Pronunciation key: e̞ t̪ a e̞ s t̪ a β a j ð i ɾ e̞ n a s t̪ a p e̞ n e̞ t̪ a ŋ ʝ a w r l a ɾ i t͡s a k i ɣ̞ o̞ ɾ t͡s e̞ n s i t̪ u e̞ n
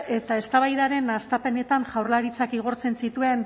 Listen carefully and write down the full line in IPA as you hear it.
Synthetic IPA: e̞ t̪ a e̞ s t̪ a β a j ð a ɾ e̞ n a s t̪ a p e̞ n e̞ t̪ a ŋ ʝ a w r l a ɾ i t͡s a k i ɣ̞ o̞ ɾ t͡s e̞ n s i t̪ u e̞ n